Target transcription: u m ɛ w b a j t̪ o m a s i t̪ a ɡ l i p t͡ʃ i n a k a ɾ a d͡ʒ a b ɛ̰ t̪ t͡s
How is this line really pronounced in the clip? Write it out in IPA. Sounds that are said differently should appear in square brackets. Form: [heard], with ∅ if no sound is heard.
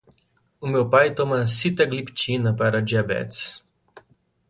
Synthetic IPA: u m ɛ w [p] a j t̪ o m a s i t̪ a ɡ l i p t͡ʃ i n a [p] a ɾ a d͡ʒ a b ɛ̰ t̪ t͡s